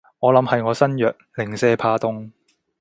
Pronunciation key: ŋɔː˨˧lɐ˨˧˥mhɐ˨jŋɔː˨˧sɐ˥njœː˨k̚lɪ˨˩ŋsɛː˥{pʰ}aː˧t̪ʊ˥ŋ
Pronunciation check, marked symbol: correct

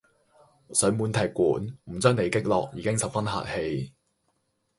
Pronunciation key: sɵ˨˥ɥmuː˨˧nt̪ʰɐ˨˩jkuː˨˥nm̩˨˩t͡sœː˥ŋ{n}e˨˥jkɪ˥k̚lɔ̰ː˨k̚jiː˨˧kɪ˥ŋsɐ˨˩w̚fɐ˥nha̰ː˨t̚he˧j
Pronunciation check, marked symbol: correct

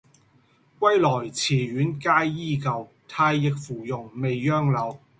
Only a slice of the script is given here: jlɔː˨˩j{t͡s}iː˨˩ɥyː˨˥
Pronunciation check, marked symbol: incorrect: t͡sʰ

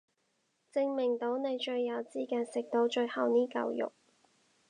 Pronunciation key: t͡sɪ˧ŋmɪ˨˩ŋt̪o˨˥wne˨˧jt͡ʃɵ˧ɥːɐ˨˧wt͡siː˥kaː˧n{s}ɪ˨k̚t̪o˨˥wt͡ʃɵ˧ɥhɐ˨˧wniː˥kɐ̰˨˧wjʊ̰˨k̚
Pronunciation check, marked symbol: correct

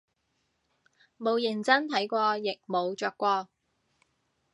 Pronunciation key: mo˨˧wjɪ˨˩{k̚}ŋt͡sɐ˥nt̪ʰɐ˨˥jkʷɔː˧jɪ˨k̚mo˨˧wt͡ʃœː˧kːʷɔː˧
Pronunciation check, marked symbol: incorrect: none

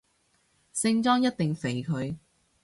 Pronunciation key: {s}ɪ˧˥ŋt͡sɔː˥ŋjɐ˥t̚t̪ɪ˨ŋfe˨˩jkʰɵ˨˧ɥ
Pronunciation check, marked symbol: correct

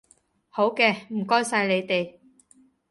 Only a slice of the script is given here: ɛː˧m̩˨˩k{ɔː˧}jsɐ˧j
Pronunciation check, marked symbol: incorrect: ɔː˥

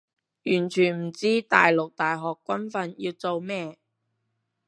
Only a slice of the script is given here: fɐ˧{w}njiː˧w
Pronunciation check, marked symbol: incorrect: none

